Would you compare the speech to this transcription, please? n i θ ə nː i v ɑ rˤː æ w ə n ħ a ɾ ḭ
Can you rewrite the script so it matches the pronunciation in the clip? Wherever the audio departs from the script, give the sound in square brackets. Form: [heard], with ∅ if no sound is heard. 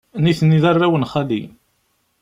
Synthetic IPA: n i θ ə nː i [ð] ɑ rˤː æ w ə n [χ] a [l] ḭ